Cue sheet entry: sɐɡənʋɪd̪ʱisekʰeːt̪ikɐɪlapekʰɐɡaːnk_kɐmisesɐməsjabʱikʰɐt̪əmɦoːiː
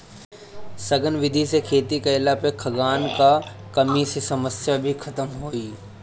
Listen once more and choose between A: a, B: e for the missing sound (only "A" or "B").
A